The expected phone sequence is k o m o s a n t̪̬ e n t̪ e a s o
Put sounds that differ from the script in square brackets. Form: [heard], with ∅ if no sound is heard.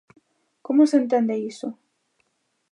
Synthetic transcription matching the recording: k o m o s [e] n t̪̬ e n [d̪] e [i] s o